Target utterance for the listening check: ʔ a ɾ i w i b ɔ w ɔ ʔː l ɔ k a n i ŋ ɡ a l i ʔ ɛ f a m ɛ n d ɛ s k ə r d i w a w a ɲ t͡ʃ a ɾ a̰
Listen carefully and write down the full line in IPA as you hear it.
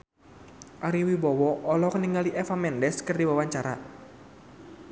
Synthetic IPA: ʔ a ɾ i w i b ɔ w ɔ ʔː l ɔ k ə n i ŋ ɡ a l i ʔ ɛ f a m ɛ n d ɛ s k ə r d i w a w a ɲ t͡ʃ a ɾ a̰